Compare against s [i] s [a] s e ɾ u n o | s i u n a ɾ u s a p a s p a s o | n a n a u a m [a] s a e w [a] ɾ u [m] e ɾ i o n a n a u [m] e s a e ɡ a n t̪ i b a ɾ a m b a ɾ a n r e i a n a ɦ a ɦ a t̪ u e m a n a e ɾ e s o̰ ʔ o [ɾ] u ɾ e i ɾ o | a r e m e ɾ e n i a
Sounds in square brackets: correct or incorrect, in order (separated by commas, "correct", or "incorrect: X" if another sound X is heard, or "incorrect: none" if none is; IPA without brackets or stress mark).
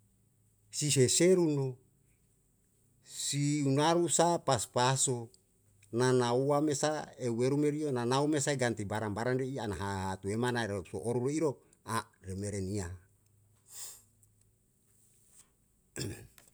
correct, incorrect: e, incorrect: e, incorrect: e, correct, correct, correct